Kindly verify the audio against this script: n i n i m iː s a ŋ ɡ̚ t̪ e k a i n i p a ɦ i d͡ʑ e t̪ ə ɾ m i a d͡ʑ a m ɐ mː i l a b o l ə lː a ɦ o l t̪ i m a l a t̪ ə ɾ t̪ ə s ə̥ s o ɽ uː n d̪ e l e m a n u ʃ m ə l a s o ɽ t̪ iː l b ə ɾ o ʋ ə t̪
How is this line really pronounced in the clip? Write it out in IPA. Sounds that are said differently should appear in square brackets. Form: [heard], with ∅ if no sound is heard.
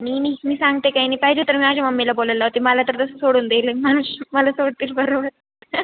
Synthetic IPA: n i n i m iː s a ŋ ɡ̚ t̪ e k a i n i p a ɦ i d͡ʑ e t̪ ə ɾ m i a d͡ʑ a m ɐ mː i l a b o l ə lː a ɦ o [∅] t̪ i m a l a t̪ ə ɾ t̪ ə s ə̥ s o ɽ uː n d̪ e l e m a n u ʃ m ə l a s o ɽ t̪ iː l b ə ɾ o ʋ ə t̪